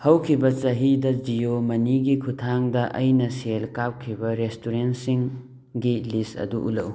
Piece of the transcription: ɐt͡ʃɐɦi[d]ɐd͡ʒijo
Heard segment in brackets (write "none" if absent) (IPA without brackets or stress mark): d